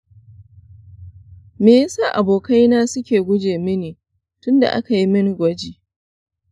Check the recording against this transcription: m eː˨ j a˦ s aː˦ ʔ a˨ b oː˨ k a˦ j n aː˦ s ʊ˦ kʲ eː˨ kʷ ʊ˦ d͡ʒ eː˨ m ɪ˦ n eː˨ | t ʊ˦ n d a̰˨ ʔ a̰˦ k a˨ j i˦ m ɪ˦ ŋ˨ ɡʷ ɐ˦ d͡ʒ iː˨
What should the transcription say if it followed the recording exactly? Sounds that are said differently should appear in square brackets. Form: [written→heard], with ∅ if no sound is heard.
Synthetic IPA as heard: m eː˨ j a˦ s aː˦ ʔ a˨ b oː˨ k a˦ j n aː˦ s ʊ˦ kʲ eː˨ [kʷ→ɡʷ] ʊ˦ d͡ʒ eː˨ m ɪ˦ n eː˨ | t ʊ˦ n d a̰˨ ʔ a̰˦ k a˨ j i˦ m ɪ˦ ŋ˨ ɡʷ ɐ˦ d͡ʒ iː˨